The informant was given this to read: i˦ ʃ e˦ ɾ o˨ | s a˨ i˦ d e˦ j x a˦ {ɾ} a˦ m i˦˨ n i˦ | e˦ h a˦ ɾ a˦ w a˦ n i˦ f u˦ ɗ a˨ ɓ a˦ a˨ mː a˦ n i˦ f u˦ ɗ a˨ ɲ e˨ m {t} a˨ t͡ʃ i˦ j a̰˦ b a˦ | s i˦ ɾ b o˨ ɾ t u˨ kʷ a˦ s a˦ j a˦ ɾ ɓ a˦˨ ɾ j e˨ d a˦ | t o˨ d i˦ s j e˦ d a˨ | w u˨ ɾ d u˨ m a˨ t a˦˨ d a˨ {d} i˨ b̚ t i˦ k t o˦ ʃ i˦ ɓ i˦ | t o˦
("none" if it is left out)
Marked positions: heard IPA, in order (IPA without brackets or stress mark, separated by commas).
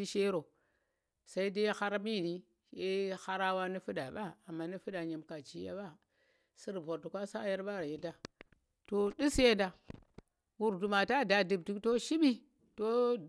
ɾ, k, d